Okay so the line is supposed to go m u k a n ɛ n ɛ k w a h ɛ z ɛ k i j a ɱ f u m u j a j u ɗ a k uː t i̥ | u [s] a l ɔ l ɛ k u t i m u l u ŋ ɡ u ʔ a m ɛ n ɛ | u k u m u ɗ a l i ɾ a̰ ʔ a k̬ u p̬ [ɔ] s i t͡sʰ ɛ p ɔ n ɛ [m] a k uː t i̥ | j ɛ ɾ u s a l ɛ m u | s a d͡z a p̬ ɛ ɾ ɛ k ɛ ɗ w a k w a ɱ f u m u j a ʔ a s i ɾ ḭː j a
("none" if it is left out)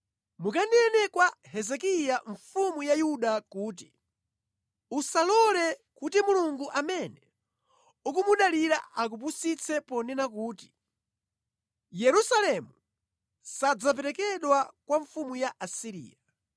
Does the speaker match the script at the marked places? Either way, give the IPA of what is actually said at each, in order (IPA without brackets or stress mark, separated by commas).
s, u, n